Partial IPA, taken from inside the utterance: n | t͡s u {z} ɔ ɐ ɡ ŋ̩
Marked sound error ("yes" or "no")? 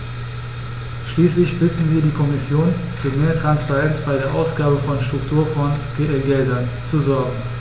no